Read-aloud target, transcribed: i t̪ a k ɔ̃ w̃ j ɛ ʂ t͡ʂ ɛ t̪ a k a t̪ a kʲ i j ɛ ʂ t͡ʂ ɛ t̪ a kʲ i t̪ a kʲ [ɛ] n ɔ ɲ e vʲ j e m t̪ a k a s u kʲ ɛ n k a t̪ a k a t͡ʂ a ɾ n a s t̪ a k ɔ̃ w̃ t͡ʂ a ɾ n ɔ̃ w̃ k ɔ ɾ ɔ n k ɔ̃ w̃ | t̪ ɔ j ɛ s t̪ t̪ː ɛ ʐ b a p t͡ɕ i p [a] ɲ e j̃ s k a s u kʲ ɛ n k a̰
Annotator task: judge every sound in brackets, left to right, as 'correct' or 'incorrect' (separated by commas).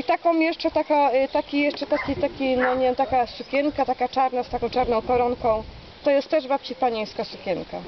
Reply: incorrect, correct